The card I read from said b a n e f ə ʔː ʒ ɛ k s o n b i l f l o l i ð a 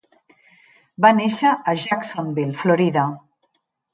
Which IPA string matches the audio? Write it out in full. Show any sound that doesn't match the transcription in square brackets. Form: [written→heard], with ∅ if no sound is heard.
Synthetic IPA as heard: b a n e [f→ʃ] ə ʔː ʒ [ɛ→a] k s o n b i l f l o [l→ɾ] i ð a